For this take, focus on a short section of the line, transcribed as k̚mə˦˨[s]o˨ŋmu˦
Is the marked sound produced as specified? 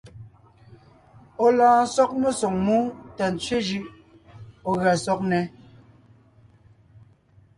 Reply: yes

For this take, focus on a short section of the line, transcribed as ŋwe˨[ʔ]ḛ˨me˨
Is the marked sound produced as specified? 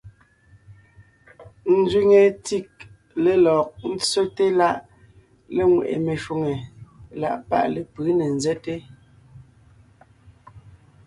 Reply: yes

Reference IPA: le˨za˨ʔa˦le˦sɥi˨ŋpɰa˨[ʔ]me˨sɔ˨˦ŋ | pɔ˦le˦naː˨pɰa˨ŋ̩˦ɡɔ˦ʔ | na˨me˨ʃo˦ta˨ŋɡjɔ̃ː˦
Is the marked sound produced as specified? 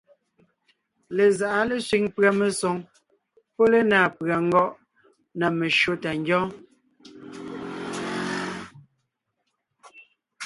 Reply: no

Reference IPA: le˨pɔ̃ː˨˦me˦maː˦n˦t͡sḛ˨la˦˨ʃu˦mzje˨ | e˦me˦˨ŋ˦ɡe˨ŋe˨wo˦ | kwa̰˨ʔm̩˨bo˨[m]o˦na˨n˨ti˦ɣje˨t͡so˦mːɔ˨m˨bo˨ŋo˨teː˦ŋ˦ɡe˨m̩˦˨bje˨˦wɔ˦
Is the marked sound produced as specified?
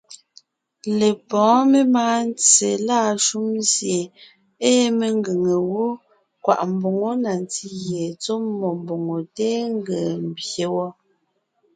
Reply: no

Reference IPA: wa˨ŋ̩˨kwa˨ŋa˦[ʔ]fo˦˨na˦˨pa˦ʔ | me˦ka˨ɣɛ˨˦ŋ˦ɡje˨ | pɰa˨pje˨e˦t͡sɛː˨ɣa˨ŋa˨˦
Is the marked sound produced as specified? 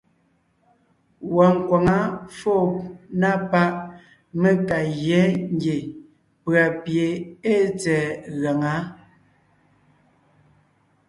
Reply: no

